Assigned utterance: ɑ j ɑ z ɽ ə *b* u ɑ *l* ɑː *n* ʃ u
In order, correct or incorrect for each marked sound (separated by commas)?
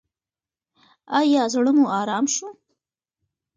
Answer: incorrect, incorrect, incorrect